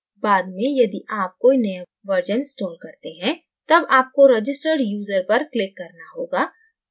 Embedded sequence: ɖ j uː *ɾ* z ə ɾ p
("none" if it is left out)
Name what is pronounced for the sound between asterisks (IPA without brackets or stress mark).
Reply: none